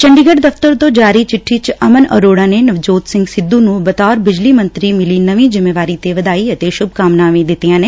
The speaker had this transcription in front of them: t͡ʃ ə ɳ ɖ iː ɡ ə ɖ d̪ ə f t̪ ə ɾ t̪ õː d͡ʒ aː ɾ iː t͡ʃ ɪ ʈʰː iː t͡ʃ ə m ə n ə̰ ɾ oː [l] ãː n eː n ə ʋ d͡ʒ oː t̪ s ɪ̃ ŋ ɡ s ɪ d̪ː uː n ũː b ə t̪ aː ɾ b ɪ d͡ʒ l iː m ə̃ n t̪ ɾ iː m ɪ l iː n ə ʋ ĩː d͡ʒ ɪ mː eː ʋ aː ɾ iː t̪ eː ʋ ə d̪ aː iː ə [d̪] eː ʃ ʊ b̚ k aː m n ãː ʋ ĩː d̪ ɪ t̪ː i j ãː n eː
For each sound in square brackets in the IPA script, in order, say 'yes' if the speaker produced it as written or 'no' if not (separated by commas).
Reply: no, no